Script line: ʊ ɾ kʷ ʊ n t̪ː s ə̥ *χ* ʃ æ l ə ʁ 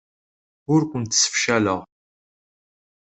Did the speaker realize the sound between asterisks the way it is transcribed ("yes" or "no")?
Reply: no